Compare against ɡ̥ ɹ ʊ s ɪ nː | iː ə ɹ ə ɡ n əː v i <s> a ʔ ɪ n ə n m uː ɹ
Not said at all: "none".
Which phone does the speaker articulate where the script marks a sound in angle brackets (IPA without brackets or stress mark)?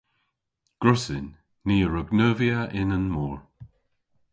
none